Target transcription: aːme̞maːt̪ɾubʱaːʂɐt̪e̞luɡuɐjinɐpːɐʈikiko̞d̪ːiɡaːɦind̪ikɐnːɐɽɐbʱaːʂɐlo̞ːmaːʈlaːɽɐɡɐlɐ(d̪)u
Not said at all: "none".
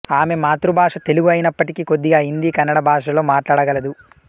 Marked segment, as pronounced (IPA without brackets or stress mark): d̪